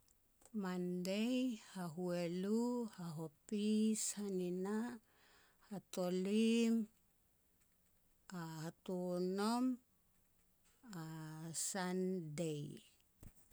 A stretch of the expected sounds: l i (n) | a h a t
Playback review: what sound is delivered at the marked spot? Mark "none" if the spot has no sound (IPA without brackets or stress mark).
m